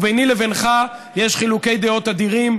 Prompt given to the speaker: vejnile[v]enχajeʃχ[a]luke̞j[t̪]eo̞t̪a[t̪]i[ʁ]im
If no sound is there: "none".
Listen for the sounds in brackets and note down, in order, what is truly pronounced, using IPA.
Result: v, i, d̪, d̪, ʁ

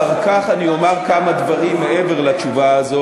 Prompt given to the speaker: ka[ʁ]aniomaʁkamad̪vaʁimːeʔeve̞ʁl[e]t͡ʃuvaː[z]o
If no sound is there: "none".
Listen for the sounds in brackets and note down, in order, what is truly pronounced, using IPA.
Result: χ, a, z

